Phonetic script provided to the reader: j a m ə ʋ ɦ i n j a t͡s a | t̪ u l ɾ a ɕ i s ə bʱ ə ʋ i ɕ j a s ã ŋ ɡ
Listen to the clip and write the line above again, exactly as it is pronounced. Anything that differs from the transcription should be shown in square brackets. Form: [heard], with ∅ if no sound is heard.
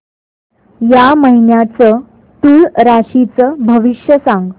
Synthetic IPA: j a m ə [∅] ɦ i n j a t͡s [ə] | t̪ u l ɾ a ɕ i [t͡s] ə bʱ ə ʋ i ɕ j [ə] s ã ŋ ɡ